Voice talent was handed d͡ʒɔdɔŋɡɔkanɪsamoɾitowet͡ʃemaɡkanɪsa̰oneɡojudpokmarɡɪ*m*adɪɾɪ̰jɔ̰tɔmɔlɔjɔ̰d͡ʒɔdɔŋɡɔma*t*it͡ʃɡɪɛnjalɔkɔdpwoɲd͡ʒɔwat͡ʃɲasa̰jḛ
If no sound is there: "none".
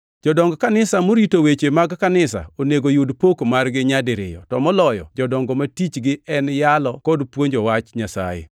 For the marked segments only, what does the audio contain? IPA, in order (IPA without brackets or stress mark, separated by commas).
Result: ɲ, t